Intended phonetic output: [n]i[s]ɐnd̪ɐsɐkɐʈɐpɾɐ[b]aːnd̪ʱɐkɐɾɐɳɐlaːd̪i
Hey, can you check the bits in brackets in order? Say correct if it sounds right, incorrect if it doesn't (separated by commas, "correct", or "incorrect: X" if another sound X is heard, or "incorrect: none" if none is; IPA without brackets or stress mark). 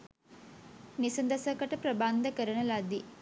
correct, correct, correct